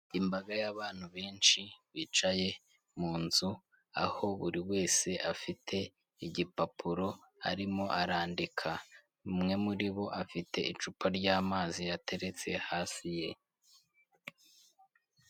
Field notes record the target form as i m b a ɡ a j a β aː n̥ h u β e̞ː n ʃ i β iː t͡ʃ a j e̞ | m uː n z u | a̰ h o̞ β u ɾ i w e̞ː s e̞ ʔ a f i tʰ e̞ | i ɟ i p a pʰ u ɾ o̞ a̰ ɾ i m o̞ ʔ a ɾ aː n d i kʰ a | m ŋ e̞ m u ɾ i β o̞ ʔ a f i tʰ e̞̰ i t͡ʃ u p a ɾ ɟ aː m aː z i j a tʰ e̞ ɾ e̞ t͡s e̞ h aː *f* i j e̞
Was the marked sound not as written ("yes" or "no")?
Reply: yes